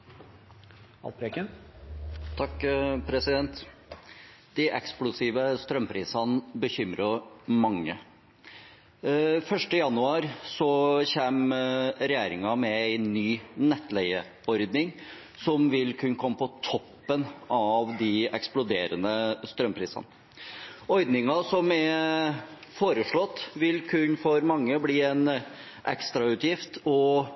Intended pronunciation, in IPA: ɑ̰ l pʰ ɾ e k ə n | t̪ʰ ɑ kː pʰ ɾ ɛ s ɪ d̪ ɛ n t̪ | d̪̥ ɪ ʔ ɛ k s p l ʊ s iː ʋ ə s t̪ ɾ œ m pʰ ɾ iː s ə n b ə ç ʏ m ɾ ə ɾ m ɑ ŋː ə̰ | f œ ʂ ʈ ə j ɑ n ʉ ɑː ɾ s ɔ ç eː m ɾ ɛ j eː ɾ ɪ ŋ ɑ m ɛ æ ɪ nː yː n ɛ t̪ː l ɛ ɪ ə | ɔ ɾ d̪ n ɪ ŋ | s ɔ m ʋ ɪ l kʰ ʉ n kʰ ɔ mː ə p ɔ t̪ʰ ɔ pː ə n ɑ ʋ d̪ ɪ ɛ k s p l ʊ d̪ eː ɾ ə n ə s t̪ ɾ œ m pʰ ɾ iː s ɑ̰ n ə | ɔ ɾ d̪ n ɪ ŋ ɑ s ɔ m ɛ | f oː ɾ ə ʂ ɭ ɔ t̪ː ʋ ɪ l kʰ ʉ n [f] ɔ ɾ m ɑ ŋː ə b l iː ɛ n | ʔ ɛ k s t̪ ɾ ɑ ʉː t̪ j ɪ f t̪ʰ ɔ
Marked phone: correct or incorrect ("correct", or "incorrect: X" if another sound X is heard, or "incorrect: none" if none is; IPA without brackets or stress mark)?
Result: correct